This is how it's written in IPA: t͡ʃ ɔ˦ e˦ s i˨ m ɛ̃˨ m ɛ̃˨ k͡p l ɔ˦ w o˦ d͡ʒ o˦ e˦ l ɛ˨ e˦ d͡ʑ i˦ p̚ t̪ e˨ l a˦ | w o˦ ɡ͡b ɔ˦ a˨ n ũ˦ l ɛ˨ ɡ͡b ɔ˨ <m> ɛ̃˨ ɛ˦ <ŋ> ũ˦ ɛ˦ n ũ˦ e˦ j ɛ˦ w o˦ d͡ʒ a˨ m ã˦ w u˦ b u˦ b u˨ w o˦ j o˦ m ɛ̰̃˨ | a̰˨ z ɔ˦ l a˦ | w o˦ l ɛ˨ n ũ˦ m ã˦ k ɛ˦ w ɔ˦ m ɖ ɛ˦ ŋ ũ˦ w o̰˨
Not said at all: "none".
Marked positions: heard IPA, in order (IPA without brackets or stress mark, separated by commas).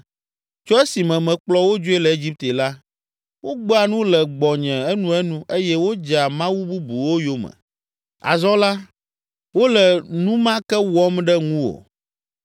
ɲ, n